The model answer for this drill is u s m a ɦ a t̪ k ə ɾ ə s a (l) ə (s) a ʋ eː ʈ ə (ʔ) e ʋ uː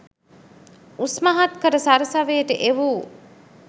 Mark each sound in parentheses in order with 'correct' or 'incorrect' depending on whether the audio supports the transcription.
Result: incorrect: ɾ, correct, correct

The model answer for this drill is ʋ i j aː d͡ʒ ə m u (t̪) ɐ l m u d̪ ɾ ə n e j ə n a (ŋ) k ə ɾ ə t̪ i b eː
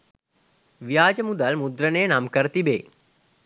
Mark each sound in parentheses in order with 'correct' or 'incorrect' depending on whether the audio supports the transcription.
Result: incorrect: d̪, incorrect: m

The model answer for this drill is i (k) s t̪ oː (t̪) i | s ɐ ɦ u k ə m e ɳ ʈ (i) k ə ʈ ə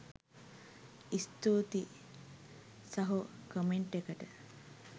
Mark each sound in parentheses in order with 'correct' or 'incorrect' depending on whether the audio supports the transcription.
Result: incorrect: none, correct, incorrect: e

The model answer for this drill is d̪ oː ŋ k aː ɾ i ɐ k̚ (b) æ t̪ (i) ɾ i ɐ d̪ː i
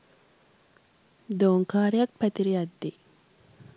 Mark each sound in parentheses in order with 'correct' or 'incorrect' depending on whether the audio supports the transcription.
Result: incorrect: p, correct

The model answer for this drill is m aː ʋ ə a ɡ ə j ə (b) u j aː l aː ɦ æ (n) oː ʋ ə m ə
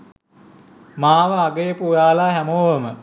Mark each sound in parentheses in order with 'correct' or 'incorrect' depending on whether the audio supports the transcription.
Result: incorrect: p, incorrect: m

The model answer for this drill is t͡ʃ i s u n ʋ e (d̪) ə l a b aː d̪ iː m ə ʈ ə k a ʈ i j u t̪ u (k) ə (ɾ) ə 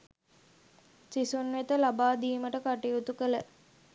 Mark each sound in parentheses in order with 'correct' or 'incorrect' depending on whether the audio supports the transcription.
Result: incorrect: t̪, correct, incorrect: l

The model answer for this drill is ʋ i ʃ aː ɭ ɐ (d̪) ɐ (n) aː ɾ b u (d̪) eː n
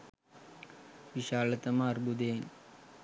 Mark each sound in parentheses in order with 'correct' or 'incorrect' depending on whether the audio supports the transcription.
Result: incorrect: t̪, incorrect: m, correct

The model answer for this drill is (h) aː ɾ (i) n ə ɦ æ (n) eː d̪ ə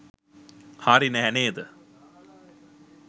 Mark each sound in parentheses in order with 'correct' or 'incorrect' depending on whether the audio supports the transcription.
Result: correct, correct, correct

